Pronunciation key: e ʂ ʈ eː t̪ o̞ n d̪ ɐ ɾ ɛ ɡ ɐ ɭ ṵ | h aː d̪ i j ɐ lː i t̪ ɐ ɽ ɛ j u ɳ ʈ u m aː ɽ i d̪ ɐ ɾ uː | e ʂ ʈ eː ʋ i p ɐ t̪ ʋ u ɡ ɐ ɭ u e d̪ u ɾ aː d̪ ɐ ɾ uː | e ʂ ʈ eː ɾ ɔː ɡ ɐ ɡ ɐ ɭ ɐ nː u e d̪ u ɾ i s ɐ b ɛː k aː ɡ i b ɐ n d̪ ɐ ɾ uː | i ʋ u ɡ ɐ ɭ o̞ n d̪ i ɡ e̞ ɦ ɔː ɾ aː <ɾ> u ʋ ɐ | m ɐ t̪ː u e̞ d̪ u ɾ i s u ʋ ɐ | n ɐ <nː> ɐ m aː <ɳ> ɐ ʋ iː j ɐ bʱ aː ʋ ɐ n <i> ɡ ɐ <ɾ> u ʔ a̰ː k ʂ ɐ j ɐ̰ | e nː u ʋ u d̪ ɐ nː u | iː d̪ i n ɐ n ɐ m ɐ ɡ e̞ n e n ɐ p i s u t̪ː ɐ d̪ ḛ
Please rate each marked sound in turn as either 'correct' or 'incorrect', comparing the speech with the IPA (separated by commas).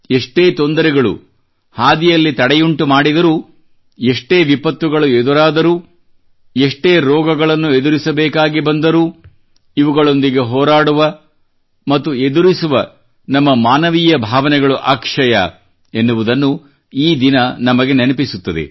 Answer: incorrect, incorrect, incorrect, incorrect, incorrect